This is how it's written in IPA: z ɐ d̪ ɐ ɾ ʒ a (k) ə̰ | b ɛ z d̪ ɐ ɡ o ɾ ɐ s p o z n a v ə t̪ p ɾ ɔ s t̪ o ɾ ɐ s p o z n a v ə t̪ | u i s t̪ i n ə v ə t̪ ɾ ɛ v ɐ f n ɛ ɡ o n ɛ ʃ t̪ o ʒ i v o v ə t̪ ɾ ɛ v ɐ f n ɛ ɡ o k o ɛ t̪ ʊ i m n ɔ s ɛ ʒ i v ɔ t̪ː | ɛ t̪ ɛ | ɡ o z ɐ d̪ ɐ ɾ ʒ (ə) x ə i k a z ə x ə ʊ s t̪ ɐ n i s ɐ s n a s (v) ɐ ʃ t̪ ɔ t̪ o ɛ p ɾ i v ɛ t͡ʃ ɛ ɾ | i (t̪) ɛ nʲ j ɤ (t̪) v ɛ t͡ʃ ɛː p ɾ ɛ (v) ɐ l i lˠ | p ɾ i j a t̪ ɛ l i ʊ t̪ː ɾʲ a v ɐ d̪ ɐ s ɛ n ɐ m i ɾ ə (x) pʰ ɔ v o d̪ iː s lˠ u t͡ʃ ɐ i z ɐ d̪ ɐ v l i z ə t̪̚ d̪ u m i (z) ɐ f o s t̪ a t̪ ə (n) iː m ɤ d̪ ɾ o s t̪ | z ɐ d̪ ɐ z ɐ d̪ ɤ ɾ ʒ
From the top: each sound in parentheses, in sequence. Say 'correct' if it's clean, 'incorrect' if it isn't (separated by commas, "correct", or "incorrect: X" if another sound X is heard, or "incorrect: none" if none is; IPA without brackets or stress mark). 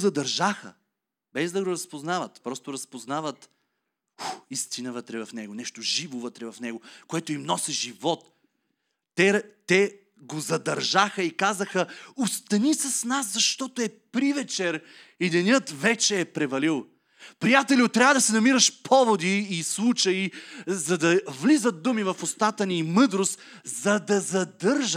incorrect: x, incorrect: a, incorrect: z, incorrect: d̪, correct, correct, incorrect: ʃ, incorrect: v, correct